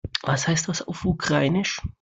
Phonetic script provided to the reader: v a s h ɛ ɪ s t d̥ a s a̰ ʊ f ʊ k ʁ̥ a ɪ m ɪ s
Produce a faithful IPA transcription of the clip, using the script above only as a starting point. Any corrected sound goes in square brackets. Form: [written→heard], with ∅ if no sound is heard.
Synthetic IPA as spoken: v a s h [ɛ→a] ɪ s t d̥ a s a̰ ʊ f [ʊ→u] k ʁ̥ a ɪ [m→n] ɪ [s→ʃ]